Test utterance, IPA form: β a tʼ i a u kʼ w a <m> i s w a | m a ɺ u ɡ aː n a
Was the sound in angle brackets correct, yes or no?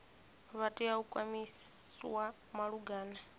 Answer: yes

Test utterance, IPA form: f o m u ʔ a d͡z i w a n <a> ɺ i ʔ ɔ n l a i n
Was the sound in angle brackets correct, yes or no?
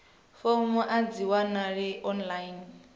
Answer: yes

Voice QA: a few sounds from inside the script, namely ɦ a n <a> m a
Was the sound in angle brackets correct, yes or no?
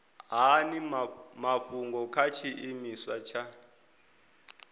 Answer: no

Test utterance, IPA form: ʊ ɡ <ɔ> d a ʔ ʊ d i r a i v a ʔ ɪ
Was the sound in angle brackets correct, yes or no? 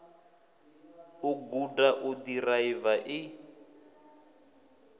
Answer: no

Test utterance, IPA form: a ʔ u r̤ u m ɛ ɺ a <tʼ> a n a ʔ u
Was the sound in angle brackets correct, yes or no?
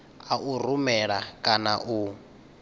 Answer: no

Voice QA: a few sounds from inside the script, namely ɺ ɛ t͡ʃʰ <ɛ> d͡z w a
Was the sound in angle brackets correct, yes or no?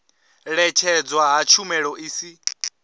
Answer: yes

